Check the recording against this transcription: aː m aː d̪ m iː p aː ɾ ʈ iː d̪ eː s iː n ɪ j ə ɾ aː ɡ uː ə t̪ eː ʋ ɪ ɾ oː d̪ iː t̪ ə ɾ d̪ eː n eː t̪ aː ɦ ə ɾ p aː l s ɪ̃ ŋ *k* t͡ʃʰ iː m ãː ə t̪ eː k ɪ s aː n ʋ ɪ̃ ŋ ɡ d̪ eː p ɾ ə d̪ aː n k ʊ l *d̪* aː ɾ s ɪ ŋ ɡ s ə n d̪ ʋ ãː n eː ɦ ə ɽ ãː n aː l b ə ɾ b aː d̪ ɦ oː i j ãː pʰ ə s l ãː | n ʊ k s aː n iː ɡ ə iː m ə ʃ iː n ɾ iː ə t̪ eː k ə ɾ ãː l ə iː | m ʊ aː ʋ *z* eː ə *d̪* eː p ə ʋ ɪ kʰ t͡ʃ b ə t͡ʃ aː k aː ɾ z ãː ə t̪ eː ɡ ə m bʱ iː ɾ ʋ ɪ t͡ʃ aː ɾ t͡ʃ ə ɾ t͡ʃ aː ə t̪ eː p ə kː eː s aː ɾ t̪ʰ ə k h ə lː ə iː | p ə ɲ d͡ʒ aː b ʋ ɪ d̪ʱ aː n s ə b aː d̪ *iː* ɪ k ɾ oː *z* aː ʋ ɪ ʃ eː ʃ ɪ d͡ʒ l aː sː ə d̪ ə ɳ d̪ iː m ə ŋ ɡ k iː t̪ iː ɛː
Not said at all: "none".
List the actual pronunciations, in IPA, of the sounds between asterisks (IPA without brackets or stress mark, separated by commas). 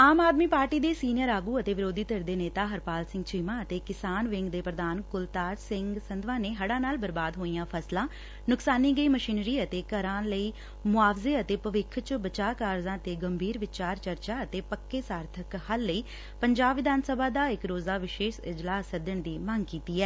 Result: ɡ, t̪, z, t̪, aː, z